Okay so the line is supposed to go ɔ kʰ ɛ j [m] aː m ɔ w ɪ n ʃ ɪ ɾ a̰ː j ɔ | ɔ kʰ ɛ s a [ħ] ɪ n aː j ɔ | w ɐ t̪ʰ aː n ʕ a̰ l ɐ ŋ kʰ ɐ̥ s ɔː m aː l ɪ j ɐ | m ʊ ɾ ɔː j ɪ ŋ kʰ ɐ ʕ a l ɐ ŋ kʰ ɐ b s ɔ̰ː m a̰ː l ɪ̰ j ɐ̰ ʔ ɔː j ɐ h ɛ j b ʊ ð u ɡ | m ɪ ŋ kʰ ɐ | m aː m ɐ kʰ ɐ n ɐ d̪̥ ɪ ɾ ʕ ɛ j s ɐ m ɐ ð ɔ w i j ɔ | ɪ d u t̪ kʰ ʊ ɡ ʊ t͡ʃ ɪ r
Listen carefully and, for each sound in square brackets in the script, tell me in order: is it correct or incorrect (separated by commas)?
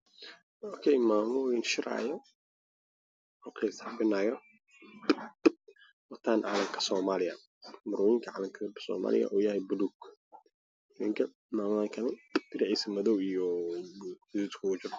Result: correct, incorrect